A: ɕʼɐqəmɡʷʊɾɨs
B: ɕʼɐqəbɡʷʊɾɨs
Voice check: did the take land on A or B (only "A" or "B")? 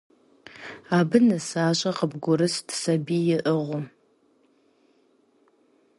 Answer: B